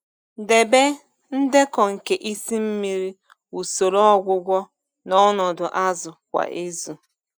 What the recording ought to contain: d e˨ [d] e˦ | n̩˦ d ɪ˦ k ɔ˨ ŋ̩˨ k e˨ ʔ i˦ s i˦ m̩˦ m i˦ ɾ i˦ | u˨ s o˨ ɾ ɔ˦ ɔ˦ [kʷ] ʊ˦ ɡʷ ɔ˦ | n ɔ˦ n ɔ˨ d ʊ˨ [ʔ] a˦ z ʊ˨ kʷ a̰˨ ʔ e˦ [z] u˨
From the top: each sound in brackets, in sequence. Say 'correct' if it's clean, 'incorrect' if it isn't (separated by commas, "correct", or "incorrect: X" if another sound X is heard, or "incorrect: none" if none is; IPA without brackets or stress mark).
incorrect: b, incorrect: ɡʷ, correct, correct